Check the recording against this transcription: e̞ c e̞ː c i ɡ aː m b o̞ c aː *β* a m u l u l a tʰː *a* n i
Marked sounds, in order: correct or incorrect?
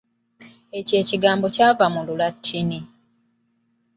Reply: incorrect: v, incorrect: i

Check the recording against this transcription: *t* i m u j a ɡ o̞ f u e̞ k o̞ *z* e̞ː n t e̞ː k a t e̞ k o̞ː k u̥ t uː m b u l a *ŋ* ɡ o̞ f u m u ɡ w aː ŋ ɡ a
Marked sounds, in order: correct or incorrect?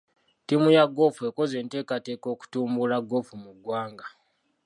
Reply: correct, correct, incorrect: none

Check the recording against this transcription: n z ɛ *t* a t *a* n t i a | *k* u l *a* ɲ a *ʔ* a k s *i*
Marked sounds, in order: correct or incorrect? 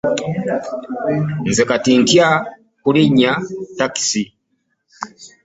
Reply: incorrect: k, incorrect: i, correct, incorrect: i, incorrect: t, correct

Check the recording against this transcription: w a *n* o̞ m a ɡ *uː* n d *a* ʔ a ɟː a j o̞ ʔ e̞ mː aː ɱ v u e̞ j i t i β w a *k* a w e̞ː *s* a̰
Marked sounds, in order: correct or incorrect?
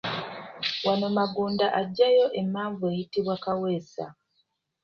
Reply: correct, correct, correct, correct, correct

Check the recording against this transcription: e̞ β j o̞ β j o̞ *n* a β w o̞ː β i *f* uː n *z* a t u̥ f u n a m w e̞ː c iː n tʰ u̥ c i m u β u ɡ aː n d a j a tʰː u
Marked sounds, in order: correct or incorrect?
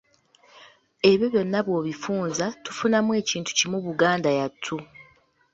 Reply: incorrect: nː, correct, correct

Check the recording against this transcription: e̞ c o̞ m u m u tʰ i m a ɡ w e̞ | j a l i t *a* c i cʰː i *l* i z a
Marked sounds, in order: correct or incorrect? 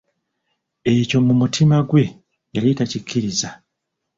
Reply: correct, incorrect: ɾ

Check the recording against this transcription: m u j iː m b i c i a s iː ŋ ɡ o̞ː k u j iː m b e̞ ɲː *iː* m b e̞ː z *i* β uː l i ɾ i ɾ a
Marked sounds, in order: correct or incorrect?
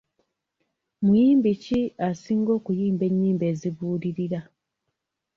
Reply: correct, correct

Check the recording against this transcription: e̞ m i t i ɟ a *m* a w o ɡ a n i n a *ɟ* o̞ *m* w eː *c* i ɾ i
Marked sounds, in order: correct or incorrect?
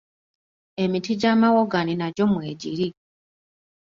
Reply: correct, correct, correct, incorrect: ɟ

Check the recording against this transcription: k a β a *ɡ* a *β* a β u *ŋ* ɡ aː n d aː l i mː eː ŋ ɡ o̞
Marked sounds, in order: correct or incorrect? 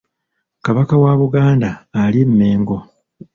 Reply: incorrect: k, incorrect: w, incorrect: none

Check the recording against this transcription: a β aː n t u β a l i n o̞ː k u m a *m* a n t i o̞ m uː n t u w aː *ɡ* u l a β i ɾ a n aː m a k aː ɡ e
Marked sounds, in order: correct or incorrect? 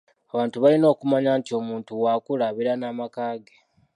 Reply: incorrect: ɲ, incorrect: k

